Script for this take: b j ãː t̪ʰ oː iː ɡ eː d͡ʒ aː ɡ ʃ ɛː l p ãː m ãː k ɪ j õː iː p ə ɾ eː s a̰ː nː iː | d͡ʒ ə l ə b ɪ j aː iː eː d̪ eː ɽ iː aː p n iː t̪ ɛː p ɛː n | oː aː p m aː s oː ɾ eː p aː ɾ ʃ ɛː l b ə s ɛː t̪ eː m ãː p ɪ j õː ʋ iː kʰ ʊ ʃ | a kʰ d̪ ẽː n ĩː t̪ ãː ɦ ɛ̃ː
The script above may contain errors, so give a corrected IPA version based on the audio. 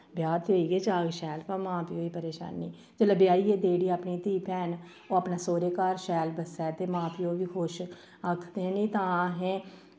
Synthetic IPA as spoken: b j aː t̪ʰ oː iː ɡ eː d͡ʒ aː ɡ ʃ ɛː l p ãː m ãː p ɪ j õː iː p ə ɾ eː ʃ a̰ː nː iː | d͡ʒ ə l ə b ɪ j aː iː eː d̪ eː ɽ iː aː p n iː t̪ iː p ɛː n | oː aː p n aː s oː ɾ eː k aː ɾ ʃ ɛː l b ə s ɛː t̪ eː m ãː p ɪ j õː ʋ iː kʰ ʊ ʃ | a kʰ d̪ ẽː n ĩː t̪ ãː ɦ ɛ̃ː